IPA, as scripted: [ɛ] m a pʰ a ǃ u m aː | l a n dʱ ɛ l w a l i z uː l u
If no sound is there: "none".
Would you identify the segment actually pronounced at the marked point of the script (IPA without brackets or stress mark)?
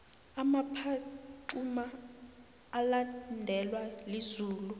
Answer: a